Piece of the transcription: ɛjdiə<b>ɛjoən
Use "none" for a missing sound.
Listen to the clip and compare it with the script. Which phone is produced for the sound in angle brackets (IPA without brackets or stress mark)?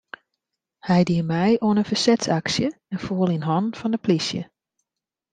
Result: m